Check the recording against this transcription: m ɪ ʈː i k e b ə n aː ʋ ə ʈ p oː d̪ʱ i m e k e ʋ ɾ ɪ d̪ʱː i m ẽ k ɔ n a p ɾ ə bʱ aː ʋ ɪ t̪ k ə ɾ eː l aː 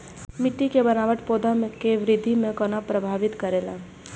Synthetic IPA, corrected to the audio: m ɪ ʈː i k e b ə n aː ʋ ə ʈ p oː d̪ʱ a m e k e ʋ ɾ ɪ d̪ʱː i m ẽ k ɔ n a p ɾ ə bʱ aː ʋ ɪ t̪ k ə ɾ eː l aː